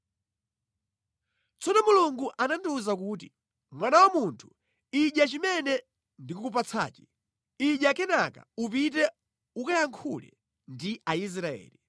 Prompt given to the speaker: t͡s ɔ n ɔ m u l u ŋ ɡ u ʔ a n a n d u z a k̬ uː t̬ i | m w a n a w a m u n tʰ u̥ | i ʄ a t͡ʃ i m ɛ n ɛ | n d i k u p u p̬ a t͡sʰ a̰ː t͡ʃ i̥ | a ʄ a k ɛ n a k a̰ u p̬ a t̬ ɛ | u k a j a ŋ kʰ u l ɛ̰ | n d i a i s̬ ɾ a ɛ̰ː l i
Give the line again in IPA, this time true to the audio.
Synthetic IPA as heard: t͡s ɔ n ɔ m u l u ŋ ɡ u ʔ a n a n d u z a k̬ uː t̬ i | m w a n a w a m u n tʰ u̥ | i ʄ a t͡ʃ i m ɛ n ɛ | n d i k u k u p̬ a t͡sʰ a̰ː t͡ʃ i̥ | i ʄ a k ɛ n a k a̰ u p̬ i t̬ ɛ | u k a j a ŋ kʰ u l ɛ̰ | n d i a i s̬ ɾ a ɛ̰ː l i